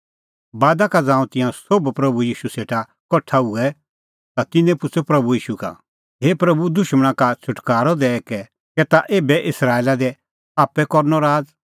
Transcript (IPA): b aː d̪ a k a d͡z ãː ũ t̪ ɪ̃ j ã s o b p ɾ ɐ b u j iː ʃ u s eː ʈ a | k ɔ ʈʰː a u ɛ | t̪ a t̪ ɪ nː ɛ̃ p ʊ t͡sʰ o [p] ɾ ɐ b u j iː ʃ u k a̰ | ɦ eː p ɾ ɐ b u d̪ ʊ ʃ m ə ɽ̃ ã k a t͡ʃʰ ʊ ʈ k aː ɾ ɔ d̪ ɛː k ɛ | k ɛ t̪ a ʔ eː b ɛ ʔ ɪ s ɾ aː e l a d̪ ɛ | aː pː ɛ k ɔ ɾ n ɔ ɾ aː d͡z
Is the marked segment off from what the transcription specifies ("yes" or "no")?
no